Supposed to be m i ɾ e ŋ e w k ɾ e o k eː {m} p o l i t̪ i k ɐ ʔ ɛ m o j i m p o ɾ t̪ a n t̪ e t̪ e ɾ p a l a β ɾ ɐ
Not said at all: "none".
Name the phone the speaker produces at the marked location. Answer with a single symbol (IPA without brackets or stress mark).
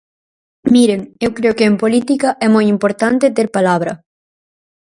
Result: m